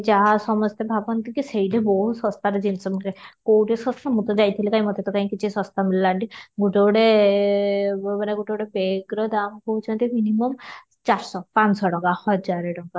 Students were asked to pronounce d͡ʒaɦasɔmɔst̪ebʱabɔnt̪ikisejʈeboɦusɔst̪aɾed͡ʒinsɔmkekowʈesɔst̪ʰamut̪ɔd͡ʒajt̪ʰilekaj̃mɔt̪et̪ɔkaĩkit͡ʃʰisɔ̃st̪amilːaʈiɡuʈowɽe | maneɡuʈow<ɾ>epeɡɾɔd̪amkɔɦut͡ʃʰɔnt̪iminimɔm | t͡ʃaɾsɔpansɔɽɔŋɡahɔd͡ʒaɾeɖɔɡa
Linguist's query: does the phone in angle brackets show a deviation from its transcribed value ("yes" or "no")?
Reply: yes